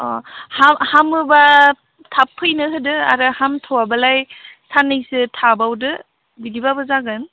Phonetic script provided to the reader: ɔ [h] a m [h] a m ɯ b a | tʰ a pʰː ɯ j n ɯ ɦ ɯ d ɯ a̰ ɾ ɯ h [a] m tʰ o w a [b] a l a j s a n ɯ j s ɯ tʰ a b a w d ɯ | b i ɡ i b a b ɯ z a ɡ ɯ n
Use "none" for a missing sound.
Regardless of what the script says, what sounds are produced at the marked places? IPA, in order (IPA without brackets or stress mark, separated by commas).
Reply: h, h, a, b